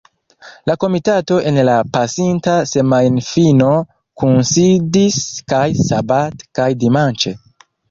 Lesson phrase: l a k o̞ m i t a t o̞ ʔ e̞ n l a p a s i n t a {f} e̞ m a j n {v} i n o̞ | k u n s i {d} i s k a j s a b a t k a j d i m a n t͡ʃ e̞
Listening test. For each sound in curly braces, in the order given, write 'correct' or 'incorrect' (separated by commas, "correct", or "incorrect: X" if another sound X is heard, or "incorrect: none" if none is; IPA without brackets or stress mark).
incorrect: s, incorrect: f, correct